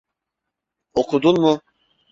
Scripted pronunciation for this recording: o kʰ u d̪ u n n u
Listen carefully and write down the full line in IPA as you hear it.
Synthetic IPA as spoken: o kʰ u d̪ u n m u